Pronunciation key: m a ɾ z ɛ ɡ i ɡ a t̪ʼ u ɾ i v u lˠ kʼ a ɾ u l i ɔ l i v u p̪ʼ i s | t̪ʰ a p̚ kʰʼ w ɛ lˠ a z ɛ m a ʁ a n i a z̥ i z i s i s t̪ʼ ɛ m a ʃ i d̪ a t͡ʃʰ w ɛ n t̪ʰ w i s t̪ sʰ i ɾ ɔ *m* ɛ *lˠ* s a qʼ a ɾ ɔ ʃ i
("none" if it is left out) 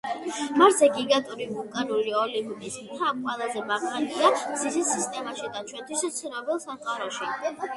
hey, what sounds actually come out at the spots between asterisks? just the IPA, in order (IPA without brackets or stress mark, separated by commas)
b, lˠ